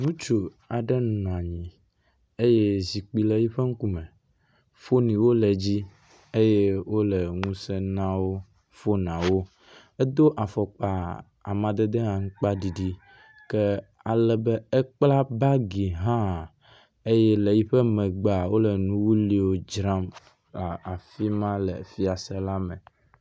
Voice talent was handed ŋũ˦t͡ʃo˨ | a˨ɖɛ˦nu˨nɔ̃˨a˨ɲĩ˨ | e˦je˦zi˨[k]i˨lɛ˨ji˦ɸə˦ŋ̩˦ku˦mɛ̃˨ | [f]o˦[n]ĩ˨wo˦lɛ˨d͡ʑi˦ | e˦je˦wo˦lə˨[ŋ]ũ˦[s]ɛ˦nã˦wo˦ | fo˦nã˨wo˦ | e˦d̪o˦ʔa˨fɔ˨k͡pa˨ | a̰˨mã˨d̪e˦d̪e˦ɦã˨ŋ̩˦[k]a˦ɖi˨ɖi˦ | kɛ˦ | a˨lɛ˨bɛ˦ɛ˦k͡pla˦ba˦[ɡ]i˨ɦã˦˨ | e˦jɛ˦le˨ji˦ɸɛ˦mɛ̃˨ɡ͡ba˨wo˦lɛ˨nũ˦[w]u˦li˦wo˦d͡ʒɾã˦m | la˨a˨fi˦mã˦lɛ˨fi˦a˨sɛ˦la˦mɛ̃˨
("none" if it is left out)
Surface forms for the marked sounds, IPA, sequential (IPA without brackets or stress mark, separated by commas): k͡p, f, n, ŋ, s, k͡p, ɡ, w